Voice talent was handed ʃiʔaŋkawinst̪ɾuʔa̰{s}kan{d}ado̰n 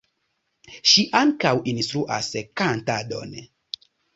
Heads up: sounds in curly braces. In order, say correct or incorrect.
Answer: correct, incorrect

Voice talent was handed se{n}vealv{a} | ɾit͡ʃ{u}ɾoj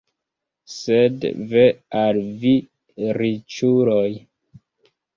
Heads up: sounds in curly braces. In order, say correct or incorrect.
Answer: incorrect, incorrect, correct

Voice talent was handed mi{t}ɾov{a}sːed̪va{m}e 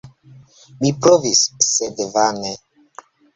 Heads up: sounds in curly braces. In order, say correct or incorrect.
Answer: incorrect, incorrect, incorrect

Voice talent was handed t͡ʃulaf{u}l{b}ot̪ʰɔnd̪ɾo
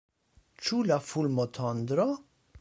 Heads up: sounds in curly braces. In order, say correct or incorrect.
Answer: correct, incorrect

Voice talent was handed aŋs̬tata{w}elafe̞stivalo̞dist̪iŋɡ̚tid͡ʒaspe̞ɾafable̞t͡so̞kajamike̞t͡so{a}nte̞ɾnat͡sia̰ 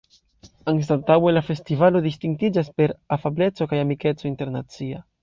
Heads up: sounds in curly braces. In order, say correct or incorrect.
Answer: correct, incorrect

